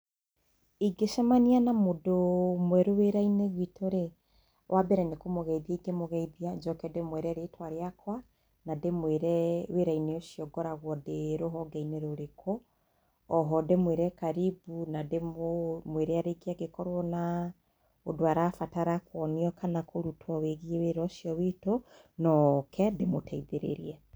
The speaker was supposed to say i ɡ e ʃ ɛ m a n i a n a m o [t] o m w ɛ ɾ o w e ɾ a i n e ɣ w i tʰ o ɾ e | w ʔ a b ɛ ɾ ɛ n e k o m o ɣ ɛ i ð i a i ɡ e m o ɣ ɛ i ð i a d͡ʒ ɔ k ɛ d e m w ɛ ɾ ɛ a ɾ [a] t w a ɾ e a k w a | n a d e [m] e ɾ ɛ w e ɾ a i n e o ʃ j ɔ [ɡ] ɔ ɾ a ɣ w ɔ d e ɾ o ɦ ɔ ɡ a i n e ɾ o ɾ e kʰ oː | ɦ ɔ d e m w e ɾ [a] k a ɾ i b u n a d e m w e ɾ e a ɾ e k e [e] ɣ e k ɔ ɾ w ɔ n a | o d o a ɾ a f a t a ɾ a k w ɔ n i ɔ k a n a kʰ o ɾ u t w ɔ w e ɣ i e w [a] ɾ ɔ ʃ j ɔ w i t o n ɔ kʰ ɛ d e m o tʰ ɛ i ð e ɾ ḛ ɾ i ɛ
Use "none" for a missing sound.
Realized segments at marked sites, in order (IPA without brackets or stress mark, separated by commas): d, e, m, ɡ, ɛ, a, e